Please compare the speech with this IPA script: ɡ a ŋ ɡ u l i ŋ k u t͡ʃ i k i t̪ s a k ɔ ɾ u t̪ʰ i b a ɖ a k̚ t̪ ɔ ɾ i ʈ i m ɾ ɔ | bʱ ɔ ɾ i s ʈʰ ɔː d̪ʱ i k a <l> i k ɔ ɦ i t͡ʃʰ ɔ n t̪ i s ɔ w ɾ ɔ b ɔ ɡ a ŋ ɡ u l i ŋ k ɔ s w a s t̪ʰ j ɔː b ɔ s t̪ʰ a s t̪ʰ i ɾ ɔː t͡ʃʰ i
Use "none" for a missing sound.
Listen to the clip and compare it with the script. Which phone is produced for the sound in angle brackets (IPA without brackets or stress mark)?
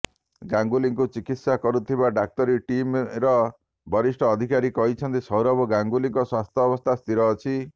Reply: ɾ